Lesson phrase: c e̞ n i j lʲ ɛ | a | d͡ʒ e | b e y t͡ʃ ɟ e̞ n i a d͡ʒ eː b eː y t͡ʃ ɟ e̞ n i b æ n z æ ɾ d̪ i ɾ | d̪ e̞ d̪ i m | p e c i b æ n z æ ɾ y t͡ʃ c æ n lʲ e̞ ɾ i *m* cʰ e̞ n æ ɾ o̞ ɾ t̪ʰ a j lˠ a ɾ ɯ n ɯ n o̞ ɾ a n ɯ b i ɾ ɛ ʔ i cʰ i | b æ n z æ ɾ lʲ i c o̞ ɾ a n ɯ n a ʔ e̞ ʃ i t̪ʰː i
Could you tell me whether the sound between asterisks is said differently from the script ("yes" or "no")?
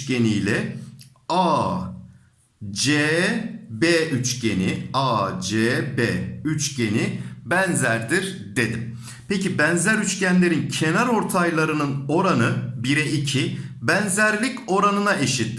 yes